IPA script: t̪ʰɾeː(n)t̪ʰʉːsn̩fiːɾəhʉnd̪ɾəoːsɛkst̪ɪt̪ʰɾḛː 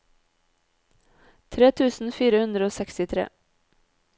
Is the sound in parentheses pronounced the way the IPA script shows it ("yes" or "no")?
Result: no